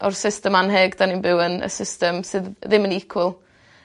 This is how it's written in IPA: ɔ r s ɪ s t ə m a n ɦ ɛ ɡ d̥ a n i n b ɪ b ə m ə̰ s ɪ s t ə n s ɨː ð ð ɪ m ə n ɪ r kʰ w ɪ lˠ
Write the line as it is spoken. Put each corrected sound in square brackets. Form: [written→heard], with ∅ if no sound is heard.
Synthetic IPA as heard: ɔ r s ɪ s t ə m a n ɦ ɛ ɡ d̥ a n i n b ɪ [b→w] ə [m→n] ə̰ s ɪ s t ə [n→m] s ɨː ð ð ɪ m ə n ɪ [r→∅] kʰ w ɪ lˠ